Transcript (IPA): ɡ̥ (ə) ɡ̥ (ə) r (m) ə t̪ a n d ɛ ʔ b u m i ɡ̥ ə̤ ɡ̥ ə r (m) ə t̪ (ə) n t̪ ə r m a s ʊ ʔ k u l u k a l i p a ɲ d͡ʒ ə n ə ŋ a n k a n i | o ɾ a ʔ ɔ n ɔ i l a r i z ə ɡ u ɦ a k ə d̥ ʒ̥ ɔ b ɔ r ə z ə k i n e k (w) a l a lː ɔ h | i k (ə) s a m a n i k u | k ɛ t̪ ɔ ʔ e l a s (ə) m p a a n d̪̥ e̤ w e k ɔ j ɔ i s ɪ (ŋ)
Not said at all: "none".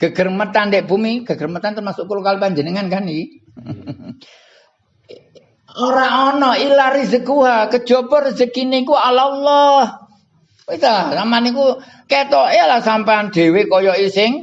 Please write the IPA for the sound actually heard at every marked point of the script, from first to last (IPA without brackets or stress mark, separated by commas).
ə, ə, m, m, a, u, a, a, ŋ